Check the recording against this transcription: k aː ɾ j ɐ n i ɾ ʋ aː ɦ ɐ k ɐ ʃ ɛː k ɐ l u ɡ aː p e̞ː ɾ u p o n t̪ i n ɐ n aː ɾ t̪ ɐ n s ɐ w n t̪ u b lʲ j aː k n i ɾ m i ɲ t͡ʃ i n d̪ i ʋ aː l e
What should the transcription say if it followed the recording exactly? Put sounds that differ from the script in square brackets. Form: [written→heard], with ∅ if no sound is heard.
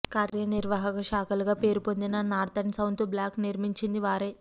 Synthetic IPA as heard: k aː ɾ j ɐ n i ɾ ʋ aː ɦ ɐ k ɐ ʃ [ɛː→aː] k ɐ l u ɡ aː p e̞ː ɾ u p o n [t̪→d̪] i n ɐ n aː ɾ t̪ ɐ n s ɐ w n t̪ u b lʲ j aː k n i ɾ m i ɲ t͡ʃ i n d̪ i ʋ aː [l→ɾ] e

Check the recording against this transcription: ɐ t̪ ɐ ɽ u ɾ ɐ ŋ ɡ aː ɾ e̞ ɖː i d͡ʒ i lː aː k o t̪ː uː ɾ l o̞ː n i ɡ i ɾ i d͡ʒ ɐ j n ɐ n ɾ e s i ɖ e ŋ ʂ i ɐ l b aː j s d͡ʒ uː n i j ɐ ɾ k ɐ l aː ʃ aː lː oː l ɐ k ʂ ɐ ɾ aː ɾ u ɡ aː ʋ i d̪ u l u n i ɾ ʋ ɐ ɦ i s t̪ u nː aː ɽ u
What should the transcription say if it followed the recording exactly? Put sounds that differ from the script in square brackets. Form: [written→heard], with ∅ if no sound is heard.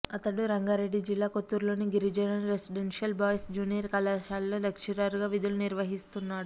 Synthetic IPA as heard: ɐ t̪ ɐ ɽ u ɾ ɐ ŋ ɡ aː ɾ e̞ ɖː i d͡ʒ i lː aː k o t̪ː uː ɾ l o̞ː n i ɡ i ɾ i d͡ʒ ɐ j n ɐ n ɾ e s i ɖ e [ŋ→n] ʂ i ɐ l b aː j s d͡ʒ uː n i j ɐ ɾ k ɐ l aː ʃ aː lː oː l ɐ k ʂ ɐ ɾ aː ɾ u ɡ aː ʋ i d̪ u l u n i ɾ ʋ ɐ ɦ i s t̪ u nː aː ɽ u

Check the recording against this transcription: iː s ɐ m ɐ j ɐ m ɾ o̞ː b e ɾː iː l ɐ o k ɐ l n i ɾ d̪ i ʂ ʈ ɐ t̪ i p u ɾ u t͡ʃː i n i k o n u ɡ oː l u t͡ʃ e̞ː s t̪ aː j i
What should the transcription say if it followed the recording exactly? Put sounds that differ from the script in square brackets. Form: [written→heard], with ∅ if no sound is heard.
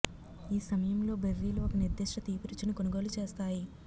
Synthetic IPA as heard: iː s ɐ m ɐ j ɐ m [ɾ→l] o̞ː b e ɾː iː l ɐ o k ɐ [l→∅] n i ɾ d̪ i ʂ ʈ ɐ t̪ [i→iː] p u ɾ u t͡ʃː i n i k o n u ɡ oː l u t͡ʃ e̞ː s t̪ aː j i

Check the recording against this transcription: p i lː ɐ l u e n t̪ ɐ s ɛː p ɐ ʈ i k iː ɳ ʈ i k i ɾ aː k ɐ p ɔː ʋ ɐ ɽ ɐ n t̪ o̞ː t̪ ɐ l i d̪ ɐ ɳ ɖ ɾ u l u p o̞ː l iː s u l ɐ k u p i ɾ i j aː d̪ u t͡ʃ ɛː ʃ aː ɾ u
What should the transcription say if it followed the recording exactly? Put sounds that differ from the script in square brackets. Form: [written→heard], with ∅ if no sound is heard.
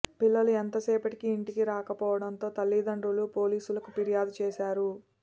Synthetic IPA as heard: p i lː ɐ l u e n t̪ ɐ s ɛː p ɐ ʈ i k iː ɳ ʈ i k i ɾ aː k ɐ p ɔː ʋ ɐ ɽ ɐ n t̪ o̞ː t̪ ɐ [l→lː] i d̪ ɐ ɳ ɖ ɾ u l u p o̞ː l iː s u l ɐ k u p i ɾ i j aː d̪ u t͡ʃ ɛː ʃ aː ɾ u

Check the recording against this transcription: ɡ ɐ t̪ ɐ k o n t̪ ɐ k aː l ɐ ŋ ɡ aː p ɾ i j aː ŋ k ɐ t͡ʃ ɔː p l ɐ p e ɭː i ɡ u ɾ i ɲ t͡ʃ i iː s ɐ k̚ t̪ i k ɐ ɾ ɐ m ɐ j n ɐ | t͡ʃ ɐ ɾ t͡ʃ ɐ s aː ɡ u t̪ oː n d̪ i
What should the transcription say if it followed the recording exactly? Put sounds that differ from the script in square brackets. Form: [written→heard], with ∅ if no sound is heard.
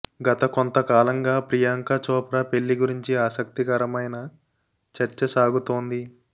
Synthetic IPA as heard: ɡ ɐ t̪ ɐ k o n t̪ ɐ k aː l ɐ ŋ ɡ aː p ɾ i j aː ŋ k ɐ t͡ʃ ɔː p [l→ɾ] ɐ p e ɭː i ɡ u ɾ i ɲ t͡ʃ i [iː→aː] s ɐ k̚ t̪ i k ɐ ɾ ɐ m ɐ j n ɐ | t͡ʃ ɐ ɾ t͡ʃ ɐ s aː ɡ u t̪ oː n d̪ i

